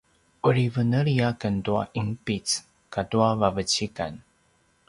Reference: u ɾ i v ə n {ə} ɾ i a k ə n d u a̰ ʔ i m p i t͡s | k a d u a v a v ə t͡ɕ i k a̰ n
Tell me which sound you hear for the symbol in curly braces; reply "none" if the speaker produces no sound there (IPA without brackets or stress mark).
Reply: ə